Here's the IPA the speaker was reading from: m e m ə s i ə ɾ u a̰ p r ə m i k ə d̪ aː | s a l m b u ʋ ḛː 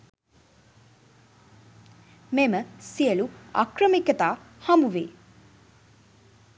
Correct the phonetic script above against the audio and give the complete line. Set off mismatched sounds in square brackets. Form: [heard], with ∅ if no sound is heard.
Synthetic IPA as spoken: m e m ə s i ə [l] u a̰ [k] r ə m i k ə [t̪] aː | [h] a [∅] m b u ʋ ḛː